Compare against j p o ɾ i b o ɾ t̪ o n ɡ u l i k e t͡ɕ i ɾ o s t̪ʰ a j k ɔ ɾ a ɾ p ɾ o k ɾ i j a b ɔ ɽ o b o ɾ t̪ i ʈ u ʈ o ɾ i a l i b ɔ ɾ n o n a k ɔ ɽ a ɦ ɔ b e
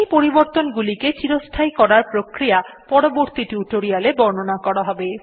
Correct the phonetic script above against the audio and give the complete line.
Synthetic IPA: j p o ɾ i b o ɾ t̪ o n ɡ u l i k e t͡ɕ i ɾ o s t̪ʰ a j k ɔ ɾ a ɾ p ɾ o k ɾ i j a p ɔ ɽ o b o ɾ t̪ i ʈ u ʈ o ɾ i a l e b ɔ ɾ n o n a k ɔ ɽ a ɦ ɔ b e